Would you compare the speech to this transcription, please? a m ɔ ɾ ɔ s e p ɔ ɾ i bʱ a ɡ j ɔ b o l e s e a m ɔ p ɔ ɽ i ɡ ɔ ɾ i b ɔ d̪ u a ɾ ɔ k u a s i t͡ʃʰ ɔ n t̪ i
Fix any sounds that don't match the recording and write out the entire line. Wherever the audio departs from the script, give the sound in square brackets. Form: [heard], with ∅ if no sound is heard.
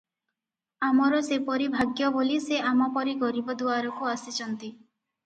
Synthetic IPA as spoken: a m ɔ ɾ ɔ s e p ɔ ɾ i bʱ a ɡ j ɔ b o l [i] s e a m ɔ p ɔ [ɾ] i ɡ ɔ ɾ i b ɔ d̪ u a ɾ ɔ k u a s i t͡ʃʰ ɔ n t̪ i